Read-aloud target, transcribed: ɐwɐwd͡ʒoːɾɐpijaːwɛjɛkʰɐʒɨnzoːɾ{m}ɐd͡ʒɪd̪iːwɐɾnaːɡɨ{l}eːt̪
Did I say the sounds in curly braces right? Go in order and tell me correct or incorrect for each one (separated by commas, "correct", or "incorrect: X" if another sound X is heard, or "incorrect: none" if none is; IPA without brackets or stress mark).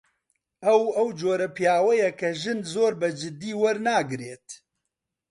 incorrect: b, incorrect: ɾ